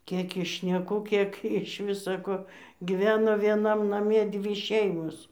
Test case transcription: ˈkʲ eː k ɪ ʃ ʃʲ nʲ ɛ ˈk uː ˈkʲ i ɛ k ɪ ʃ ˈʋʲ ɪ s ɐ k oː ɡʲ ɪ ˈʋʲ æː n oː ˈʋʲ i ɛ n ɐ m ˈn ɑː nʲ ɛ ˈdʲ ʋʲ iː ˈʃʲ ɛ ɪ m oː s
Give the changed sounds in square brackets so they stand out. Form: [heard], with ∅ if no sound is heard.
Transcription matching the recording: ˈkʲ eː k ɪ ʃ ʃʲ nʲ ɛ ˈk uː ˈkʲ i ɛ k ɪ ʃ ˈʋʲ ɪ s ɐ k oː ɡʲ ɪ ˈʋʲ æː n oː ˈʋʲ i ɛ n ɐ m ˈn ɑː [mʲ] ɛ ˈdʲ ʋʲ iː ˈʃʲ ɛ ɪ m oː s